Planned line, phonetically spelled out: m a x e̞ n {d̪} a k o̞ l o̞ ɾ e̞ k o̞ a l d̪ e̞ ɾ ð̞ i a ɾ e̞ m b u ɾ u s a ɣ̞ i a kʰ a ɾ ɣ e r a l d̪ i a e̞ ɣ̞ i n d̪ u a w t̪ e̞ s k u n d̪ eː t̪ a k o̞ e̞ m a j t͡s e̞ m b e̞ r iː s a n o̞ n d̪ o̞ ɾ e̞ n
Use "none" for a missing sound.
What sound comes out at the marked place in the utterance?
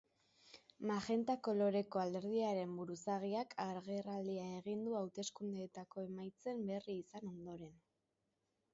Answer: t̪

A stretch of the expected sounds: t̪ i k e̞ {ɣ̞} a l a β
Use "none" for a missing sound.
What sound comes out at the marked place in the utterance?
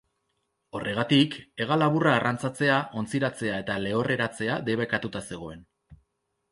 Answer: ɣ̞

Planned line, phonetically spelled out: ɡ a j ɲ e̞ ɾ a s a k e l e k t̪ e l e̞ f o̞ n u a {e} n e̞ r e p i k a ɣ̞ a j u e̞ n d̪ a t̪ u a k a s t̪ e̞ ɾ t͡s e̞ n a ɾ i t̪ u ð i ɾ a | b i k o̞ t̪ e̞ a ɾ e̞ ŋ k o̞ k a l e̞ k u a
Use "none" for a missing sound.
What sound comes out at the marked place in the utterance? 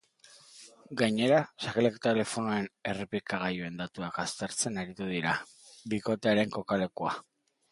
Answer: e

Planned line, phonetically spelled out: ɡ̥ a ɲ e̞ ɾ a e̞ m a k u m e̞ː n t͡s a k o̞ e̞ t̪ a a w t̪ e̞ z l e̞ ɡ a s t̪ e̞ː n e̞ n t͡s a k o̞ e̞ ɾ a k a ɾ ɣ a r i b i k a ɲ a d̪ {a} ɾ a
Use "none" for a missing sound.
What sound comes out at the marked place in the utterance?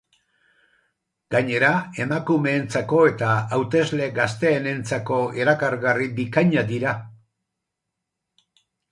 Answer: i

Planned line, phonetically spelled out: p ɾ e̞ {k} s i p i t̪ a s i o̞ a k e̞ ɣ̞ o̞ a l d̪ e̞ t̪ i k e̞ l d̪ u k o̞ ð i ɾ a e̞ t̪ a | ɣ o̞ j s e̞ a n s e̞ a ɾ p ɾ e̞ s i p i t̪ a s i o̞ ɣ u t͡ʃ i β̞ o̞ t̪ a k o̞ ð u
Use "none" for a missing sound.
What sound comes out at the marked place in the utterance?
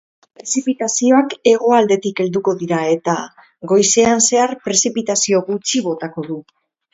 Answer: none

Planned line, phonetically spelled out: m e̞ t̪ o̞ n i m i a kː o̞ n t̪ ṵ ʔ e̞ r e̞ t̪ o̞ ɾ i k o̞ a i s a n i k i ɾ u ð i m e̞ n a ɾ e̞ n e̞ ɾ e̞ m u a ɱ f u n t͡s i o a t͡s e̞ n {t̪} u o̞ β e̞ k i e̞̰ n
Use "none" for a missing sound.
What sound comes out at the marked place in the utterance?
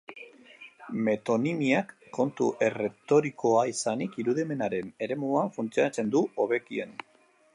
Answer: d̪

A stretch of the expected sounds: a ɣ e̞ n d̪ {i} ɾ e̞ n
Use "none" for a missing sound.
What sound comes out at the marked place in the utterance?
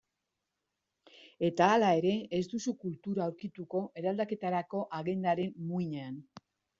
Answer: a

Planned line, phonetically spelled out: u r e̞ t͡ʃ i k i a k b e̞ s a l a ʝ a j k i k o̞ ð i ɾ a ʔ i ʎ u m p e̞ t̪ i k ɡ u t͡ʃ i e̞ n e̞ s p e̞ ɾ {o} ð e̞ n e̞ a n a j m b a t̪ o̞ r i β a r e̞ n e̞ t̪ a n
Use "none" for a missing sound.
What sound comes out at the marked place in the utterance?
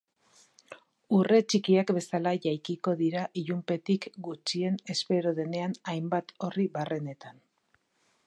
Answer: o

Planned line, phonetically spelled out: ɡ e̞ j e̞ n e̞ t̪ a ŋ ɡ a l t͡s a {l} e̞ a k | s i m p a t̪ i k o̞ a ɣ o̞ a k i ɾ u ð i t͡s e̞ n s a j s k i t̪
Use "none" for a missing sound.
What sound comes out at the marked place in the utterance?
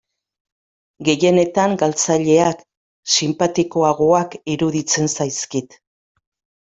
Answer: ʎ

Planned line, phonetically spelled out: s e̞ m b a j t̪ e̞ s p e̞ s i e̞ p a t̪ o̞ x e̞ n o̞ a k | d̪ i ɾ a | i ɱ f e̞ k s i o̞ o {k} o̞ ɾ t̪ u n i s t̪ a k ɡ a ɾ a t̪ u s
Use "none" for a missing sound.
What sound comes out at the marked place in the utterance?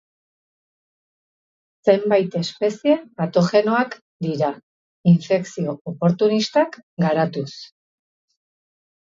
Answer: p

